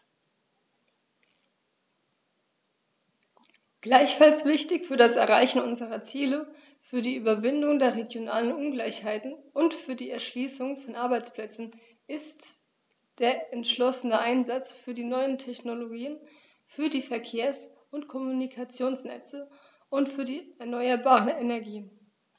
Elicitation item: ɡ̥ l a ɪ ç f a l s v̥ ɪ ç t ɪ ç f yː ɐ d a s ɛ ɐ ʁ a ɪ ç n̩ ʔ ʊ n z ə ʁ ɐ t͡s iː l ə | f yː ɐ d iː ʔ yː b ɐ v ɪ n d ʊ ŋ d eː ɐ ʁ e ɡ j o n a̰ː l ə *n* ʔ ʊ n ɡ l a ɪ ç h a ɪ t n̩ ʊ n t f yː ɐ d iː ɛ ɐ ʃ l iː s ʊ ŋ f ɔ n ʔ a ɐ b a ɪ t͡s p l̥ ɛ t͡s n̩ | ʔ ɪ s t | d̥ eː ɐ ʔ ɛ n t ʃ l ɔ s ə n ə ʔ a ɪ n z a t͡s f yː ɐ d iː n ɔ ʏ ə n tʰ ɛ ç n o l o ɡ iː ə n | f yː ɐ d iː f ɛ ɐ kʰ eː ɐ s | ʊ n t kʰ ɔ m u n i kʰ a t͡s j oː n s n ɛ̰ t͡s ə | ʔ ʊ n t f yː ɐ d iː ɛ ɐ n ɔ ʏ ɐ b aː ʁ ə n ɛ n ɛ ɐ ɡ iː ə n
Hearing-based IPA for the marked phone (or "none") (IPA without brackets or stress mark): n